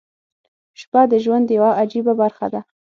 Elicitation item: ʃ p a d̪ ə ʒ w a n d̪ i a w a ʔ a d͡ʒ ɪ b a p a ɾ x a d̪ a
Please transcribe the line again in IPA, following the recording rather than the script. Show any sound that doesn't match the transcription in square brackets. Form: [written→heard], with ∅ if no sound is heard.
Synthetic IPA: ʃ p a d̪ ə ʒ w a n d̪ [i→j] a w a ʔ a d͡ʒ [ɪ→i] b a [p→b] a ɾ x a d̪ a